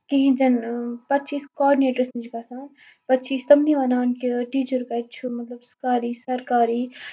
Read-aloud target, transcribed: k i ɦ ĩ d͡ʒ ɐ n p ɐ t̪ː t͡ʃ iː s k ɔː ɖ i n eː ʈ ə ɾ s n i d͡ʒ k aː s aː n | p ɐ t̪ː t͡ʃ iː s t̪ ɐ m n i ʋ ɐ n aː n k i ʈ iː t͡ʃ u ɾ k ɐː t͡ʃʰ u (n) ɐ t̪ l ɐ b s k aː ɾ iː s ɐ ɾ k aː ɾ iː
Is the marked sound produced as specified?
no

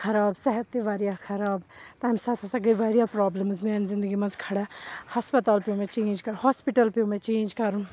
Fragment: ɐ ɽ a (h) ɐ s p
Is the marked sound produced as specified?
yes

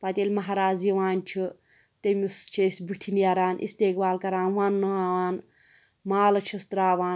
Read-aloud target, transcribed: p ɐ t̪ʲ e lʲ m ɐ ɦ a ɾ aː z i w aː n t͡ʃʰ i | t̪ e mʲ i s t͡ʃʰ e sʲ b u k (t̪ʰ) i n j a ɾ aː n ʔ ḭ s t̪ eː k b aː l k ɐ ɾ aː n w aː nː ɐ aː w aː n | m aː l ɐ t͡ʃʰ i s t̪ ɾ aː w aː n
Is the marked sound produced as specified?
yes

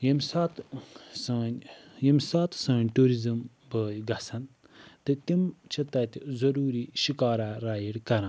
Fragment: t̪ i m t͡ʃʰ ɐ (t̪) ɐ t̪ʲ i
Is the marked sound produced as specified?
yes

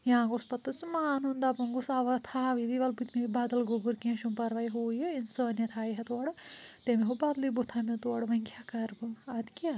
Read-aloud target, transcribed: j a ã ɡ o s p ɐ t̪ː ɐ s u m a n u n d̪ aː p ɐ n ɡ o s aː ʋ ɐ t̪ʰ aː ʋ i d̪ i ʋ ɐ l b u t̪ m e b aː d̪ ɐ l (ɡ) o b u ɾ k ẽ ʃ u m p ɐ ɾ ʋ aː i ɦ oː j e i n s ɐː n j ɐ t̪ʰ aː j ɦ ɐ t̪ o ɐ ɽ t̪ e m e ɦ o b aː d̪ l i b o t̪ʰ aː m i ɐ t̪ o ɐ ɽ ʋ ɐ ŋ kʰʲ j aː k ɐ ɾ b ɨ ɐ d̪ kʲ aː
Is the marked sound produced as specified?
yes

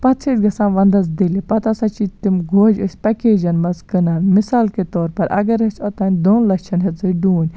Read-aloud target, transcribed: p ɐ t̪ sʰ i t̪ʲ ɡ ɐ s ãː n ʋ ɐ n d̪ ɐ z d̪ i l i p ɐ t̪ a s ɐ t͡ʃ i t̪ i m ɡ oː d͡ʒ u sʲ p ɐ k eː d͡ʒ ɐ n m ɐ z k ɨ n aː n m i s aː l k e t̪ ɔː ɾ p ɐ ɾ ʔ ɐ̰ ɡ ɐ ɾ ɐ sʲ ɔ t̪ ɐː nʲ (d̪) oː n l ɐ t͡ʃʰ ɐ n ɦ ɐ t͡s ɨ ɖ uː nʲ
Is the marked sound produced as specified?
yes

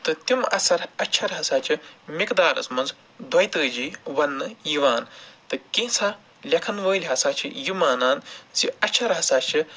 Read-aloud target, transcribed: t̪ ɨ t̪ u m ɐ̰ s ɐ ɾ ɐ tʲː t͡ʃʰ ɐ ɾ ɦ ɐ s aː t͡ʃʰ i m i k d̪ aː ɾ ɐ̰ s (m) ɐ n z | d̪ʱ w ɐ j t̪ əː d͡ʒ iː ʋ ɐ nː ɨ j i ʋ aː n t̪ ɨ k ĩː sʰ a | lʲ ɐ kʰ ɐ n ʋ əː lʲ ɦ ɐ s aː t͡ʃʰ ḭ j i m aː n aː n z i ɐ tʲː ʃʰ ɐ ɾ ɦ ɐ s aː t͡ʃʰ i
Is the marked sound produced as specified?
yes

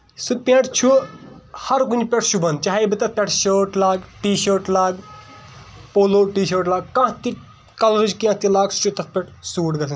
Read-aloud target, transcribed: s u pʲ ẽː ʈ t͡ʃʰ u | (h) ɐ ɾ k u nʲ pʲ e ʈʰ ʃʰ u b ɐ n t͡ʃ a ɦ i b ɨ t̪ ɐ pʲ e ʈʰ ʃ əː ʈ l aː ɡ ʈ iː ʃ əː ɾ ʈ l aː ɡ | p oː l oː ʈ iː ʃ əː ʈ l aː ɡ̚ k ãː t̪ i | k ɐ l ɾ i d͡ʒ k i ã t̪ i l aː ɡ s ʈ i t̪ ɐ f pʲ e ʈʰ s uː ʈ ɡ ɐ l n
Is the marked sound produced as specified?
yes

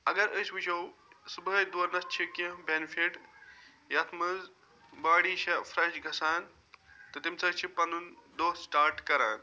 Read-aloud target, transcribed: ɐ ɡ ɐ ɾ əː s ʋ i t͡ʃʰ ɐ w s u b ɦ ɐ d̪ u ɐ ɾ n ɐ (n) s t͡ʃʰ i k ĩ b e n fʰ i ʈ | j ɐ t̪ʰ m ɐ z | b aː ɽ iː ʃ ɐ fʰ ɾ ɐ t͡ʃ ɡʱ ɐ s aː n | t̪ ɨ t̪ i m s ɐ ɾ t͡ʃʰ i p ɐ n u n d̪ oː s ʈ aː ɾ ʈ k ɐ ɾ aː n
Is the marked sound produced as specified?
no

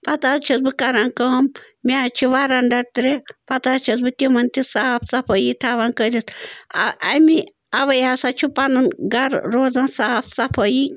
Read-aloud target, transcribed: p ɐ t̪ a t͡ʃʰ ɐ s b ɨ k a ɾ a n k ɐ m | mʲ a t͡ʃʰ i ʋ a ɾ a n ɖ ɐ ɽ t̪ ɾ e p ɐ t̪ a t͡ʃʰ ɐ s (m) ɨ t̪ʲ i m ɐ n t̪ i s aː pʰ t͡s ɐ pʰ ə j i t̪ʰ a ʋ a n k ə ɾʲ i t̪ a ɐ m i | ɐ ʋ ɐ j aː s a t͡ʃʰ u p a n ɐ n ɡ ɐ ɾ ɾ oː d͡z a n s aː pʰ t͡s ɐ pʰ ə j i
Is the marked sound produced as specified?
no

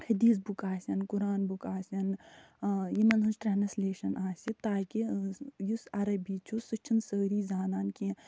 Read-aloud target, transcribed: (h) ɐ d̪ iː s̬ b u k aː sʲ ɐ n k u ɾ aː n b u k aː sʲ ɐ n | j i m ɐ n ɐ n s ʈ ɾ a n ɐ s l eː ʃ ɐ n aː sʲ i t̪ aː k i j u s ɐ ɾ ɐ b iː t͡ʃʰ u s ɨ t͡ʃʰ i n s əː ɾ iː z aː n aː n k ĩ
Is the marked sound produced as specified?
yes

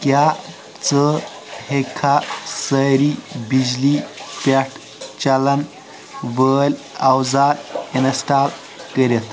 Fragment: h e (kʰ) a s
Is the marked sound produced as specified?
yes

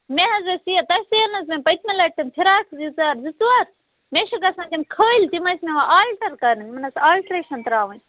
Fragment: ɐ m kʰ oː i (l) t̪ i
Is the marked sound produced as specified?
yes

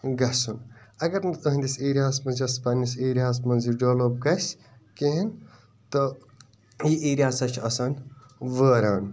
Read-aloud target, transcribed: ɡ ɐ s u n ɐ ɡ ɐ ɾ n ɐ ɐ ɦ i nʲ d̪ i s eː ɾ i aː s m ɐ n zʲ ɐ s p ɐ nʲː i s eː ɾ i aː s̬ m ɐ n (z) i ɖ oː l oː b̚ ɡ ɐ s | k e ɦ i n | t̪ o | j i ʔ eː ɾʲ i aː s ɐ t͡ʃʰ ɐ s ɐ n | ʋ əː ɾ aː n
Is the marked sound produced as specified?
yes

